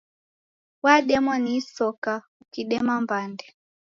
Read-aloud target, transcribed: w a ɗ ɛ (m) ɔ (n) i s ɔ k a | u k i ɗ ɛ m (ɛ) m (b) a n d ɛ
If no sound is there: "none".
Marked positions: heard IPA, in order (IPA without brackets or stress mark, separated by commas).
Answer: m, n, a, b